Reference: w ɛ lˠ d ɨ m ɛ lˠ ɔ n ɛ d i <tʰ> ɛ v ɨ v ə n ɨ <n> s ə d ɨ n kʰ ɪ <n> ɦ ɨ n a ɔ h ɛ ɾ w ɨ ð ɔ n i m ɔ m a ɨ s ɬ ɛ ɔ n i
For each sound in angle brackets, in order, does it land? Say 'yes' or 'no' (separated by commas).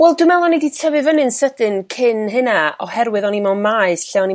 yes, yes, yes